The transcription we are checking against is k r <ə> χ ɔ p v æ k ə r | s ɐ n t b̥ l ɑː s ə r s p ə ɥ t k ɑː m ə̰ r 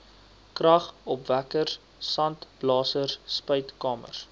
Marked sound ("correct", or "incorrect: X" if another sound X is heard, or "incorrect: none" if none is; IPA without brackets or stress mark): incorrect: ɐ